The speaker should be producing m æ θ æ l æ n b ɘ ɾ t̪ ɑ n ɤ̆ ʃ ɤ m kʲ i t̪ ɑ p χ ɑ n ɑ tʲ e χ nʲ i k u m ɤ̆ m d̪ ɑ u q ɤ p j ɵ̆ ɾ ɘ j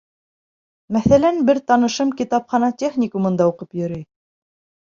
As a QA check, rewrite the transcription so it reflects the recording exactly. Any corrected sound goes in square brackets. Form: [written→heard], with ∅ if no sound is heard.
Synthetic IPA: m æ θ æ l æ n b ɘ ɾ t̪ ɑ n ɤ̆ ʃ ɤ m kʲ i t̪ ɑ p χ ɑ n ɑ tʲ e χ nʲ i k u m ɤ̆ [m→n] d̪ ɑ u q ɤ p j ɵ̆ ɾ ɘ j